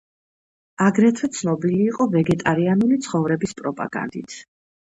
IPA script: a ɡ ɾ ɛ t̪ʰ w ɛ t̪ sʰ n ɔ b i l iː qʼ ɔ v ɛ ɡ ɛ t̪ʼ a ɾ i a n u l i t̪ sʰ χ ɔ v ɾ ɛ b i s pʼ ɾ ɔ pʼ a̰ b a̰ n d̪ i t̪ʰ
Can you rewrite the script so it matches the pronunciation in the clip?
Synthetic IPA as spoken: a ɡ ɾ ɛ t̪ʰ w ɛ t̪ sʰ n ɔ b i l iː qʼ ɔ v ɛ ɡ ɛ t̪ʼ a ɾ i a n u l i t̪ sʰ χ ɔ v ɾ ɛ b i s pʼ ɾ ɔ pʼ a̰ ɡ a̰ n d̪ i t̪ʰ